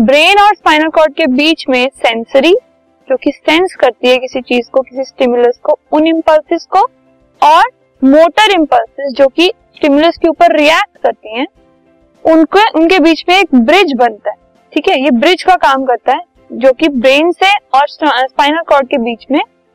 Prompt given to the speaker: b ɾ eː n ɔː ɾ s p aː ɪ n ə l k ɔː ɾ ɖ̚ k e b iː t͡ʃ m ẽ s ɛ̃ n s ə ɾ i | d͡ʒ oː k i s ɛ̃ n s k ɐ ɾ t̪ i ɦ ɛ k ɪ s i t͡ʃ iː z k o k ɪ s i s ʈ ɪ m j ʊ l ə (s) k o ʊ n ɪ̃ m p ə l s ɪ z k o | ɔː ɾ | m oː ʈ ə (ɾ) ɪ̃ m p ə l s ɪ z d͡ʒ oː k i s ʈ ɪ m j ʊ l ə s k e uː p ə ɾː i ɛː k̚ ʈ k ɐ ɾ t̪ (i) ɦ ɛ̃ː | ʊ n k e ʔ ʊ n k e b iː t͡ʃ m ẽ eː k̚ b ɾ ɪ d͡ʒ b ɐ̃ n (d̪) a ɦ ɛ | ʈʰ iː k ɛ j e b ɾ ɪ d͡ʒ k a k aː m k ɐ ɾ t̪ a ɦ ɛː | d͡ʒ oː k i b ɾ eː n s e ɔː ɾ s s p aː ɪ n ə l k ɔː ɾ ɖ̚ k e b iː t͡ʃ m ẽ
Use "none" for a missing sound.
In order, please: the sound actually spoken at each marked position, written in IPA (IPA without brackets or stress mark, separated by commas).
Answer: s, ɾ, i, t̪